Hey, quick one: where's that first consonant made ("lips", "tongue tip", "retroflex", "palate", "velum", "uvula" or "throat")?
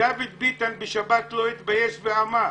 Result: lips